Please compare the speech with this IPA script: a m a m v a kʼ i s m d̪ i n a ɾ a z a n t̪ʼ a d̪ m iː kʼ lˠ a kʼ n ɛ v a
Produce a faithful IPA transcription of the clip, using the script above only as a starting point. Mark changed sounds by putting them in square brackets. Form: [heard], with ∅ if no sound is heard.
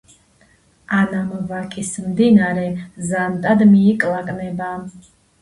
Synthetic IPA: a [n] a m v a kʼ i s m d̪ i n a ɾ [ɛ] z a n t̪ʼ a d̪ m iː kʼ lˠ a kʼ n ɛ [b] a

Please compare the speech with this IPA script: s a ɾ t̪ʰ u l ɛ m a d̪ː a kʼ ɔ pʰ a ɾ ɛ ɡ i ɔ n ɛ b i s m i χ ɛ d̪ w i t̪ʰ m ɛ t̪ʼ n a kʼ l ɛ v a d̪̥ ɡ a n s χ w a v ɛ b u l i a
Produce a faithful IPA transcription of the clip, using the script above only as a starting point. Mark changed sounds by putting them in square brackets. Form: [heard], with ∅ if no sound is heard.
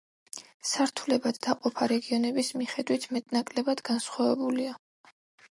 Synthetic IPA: s a ɾ t̪ʰ u l ɛ [b] a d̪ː a [qʼ] ɔ pʰ a ɾ ɛ ɡ i ɔ n ɛ b i s m i χ ɛ d̪ w i t̪ʰ m ɛ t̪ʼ n a kʼ l ɛ [b] a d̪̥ ɡ a n s χ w a v ɛ b u l i a

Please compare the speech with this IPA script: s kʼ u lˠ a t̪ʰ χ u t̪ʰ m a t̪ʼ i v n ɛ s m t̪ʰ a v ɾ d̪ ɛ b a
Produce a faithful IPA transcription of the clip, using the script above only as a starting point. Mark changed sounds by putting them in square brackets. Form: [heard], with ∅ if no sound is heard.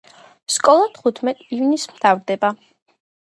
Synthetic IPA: s kʼ [ɔ] lˠ a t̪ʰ χ u t̪ʰ m [ɛ] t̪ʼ i v n [i] s m t̪ʰ a v ɾ d̪ ɛ b a

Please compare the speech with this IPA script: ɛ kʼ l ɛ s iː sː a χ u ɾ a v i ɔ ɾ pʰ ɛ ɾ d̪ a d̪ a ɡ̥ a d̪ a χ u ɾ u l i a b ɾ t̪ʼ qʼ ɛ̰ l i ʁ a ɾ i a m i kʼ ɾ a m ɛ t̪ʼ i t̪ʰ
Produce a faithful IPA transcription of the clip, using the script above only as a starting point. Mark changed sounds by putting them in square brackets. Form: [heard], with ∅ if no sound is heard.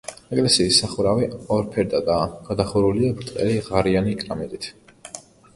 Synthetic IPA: ɛ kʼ l ɛ s iː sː a χ u ɾ a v i ɔ ɾ pʰ ɛ ɾ d̪ a d̪ a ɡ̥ a d̪ a χ u ɾ u l i a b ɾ t̪ʼ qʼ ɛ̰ l i ʁ a ɾ i a [n] i kʼ ɾ a m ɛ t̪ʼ i t̪ʰ

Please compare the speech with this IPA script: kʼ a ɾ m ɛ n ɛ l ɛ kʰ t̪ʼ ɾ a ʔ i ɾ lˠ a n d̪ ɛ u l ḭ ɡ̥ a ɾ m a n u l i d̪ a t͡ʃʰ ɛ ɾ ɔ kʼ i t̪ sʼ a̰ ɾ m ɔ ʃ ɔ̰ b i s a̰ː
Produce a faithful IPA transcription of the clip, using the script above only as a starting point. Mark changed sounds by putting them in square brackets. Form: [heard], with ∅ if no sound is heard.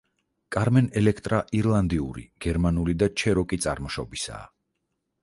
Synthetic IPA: kʼ a ɾ m ɛ n ɛ l ɛ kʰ t̪ʼ ɾ a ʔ i ɾ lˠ a n d̪ [i] u [ɾ] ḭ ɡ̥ [ɛ] ɾ m a n u l i d̪ a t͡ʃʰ ɛ ɾ ɔ kʼ i t̪ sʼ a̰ ɾ m ɔ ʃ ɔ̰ b i s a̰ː

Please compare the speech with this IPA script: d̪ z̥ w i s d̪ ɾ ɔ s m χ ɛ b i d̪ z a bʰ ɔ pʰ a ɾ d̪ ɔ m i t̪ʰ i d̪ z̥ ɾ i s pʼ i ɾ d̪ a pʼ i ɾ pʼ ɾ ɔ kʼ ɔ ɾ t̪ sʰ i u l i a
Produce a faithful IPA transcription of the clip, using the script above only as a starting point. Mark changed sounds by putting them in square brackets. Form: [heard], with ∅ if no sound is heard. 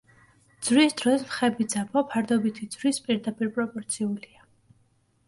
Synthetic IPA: d̪ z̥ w i s d̪ ɾ ɔ s m χ ɛ b i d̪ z a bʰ ɔ pʰ a ɾ d̪ ɔ [b] i t̪ʰ i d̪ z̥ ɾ i s pʼ i ɾ d̪ a pʼ i ɾ pʼ ɾ ɔ [pʼ] ɔ ɾ t̪ sʰ i u l i a

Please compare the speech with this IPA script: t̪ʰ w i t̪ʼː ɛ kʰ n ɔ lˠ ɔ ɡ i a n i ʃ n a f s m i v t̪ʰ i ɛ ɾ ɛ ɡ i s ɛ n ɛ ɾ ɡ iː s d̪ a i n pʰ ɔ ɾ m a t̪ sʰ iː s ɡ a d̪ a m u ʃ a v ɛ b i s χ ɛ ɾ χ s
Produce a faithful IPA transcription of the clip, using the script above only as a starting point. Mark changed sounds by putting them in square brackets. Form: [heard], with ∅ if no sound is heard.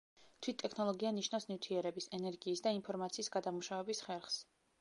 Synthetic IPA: t̪ʰ w i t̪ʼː ɛ kʰ n ɔ lˠ ɔ ɡ i a n i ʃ n a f s [n] i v t̪ʰ i ɛ ɾ ɛ [b] i s ɛ n ɛ ɾ ɡ iː s d̪ a i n pʰ ɔ ɾ m a t̪ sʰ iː s ɡ a d̪ a m u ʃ a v ɛ b i s χ ɛ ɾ χ s

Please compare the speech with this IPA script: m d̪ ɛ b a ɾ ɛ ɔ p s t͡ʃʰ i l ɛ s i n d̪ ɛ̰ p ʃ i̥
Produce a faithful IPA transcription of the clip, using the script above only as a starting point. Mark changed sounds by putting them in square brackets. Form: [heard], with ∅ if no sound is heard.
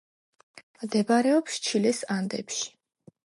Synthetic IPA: m d̪ ɛ b a ɾ ɛ ɔ p s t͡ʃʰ i l ɛ s [a] n d̪ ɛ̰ p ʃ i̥

